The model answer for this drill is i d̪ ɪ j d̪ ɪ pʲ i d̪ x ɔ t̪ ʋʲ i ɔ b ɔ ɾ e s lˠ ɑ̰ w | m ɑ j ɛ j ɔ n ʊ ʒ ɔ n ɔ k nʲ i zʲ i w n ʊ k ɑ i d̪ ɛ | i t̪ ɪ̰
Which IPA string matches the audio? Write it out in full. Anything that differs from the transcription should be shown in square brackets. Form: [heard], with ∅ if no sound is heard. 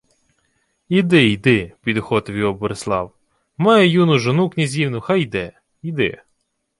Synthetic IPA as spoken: i d̪ ɪ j d̪ ɪ pʲ i d̪ x ɔ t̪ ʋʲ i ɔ b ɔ ɾ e s lˠ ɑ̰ w | m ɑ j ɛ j [u] n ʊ ʒ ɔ n [u] k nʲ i zʲ i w n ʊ [x] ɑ [j] d̪ ɛ | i [d̪] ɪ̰

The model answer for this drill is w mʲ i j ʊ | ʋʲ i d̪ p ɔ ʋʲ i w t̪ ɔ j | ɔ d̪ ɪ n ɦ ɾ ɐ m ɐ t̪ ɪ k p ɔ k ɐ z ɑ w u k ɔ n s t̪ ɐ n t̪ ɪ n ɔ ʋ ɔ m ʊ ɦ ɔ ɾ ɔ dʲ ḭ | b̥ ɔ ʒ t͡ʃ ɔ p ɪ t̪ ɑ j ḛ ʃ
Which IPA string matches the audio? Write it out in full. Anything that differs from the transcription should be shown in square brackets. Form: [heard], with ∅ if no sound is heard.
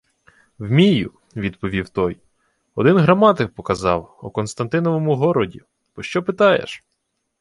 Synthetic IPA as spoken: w mʲ i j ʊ | ʋʲ i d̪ p ɔ ʋʲ i w t̪ ɔ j | ɔ d̪ ɪ n ɦ ɾ ɐ m [ɑ] t̪ ɪ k p ɔ k ɐ z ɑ w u k ɔ n s t̪ ɐ n t̪ ɪ n ɔ ʋ ɔ m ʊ ɦ ɔ ɾ ɔ dʲ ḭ | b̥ ɔ [ʃ] t͡ʃ ɔ p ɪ t̪ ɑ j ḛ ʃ

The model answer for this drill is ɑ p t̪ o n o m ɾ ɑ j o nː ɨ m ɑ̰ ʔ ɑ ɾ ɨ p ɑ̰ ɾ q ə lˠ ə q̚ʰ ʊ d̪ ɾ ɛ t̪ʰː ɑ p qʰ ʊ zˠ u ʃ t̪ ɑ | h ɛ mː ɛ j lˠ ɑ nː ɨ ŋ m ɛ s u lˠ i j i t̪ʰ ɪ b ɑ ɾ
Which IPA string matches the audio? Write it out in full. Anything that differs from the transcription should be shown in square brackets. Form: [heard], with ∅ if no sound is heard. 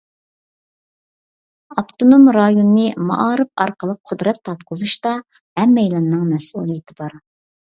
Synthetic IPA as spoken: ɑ p t̪ o n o m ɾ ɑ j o nː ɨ m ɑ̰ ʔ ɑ ɾ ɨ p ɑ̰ ɾ q ə lˠ ə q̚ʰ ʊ d̪ ɾ ɛ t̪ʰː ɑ p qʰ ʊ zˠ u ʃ t̪ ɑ | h ɛ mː ɛ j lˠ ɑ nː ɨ ŋ m ɛ s u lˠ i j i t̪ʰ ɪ b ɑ ɾ

